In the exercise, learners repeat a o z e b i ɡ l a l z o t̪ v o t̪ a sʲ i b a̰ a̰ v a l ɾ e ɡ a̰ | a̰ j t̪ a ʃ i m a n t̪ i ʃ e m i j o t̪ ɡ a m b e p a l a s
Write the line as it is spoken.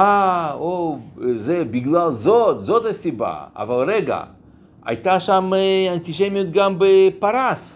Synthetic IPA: a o z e b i ɡ l a l z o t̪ z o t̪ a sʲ i b a̰ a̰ v a l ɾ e ɡ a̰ | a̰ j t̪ a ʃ a m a n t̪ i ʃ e m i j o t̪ ɡ a m b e p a ɾ a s